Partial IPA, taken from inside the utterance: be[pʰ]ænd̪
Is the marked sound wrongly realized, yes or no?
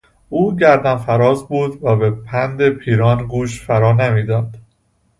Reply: no